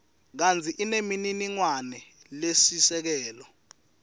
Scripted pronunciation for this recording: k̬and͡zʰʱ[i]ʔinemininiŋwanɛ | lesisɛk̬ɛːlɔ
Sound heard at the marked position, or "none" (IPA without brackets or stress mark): i